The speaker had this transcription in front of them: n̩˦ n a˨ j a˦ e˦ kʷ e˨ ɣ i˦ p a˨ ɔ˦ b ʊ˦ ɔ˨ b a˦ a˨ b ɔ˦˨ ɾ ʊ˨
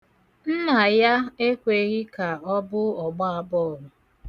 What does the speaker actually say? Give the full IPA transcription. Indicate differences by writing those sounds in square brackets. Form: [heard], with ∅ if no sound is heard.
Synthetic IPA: n̩˦ n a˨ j a˦ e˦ kʷ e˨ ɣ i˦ [k] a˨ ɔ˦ b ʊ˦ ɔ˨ [ɡ͡b] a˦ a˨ b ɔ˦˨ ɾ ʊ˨